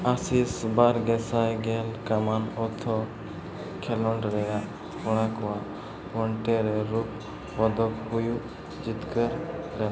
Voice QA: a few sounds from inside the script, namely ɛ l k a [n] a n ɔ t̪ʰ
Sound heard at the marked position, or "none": m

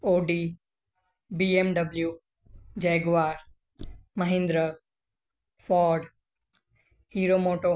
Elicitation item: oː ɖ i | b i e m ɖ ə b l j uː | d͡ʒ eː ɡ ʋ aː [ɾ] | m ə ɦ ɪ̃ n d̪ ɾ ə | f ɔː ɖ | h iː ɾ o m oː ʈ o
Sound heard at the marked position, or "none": ɾ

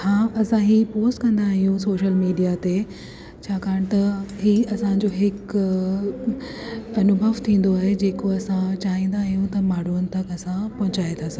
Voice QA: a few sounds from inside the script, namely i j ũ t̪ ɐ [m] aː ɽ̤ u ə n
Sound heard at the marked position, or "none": m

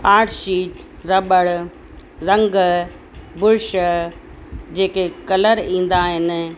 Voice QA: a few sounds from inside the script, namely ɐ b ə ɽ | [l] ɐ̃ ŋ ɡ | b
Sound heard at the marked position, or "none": ɾ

